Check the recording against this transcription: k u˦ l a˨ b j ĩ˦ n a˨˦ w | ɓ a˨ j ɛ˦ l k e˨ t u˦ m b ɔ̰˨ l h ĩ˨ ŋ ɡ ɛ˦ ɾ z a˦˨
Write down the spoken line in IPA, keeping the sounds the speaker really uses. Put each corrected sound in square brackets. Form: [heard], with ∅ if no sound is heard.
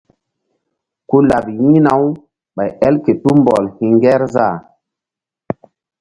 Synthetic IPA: k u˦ l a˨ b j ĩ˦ n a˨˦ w | ɓ a˨ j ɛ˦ l k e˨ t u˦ m b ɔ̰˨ l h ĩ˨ ŋ ɡ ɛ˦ ɾ z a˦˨